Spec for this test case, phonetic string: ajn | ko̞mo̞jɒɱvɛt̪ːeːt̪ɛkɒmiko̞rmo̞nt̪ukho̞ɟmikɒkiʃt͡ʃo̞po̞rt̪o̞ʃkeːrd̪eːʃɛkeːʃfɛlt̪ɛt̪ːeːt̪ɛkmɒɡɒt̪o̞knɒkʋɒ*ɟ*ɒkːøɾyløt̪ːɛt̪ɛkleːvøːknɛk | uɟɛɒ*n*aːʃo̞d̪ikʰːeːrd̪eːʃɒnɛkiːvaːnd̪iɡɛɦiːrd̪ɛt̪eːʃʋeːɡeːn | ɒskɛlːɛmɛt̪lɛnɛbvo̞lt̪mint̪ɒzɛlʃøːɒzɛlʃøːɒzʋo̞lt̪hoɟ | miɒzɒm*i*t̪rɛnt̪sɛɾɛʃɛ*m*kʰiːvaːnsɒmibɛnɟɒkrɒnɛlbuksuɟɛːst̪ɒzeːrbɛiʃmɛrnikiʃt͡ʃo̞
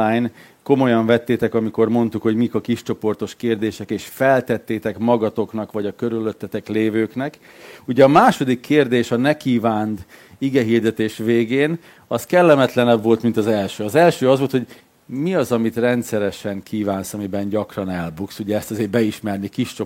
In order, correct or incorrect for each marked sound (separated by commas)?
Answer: correct, incorrect, correct, incorrect